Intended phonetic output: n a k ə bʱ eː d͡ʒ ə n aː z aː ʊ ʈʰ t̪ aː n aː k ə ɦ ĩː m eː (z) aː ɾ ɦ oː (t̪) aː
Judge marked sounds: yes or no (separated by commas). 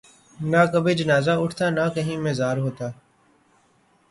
yes, yes